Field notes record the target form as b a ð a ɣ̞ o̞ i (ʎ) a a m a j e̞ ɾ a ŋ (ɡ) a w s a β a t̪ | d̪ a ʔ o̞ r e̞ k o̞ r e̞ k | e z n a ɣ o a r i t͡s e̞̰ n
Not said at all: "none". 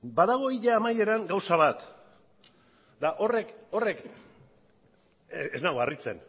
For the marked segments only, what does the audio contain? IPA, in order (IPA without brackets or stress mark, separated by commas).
ʎ, ɡ